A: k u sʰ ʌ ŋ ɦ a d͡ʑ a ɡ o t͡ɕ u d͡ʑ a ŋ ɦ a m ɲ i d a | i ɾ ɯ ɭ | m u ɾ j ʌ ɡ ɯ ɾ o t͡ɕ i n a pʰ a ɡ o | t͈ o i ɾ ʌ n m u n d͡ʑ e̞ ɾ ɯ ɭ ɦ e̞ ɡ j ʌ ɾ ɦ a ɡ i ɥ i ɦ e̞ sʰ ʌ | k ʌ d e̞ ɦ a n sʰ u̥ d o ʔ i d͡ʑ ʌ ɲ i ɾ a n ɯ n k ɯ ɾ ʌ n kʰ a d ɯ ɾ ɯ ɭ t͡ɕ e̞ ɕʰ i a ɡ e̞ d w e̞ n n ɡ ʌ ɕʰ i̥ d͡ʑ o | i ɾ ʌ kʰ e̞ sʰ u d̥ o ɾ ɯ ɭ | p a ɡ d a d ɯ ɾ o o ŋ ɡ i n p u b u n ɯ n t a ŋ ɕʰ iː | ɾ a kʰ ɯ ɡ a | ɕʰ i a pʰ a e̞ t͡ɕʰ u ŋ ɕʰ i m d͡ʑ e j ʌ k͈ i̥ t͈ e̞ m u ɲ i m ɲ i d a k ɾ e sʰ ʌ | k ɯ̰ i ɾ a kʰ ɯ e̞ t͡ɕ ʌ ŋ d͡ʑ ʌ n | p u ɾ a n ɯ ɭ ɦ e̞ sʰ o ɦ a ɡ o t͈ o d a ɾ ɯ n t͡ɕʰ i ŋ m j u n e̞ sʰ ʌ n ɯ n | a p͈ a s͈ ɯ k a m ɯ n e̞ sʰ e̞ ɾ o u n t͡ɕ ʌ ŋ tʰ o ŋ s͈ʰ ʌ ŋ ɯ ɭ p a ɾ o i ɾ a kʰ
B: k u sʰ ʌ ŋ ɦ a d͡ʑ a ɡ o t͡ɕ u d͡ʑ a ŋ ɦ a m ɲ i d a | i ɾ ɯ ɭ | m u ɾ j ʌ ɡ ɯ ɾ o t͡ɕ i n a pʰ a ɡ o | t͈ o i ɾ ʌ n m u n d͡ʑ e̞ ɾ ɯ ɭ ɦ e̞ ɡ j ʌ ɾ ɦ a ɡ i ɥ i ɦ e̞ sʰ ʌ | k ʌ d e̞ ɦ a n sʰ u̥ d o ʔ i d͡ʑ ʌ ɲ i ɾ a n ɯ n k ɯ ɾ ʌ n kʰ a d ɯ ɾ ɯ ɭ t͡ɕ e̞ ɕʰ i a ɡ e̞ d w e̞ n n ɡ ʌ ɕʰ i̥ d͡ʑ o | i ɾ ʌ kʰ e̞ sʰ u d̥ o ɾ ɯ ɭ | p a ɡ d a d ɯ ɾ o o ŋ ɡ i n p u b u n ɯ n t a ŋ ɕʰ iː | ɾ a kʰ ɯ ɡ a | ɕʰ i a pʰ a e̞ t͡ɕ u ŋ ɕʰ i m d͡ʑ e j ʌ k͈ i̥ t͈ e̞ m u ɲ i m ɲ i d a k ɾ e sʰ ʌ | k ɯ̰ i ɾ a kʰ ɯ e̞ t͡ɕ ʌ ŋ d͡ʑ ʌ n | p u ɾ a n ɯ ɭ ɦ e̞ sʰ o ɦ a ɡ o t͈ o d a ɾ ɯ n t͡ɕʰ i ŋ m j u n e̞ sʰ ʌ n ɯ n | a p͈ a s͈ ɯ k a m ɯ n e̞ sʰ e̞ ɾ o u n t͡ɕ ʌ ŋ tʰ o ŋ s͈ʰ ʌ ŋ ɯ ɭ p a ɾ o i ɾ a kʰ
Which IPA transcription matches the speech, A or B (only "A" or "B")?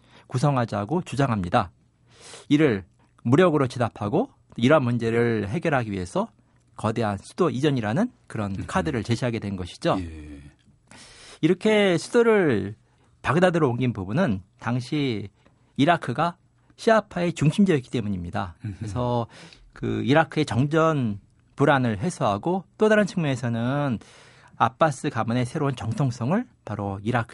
B